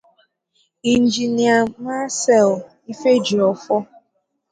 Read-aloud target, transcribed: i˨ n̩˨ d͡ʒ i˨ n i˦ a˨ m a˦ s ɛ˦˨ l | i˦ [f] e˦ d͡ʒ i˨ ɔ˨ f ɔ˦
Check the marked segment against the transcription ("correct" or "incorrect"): correct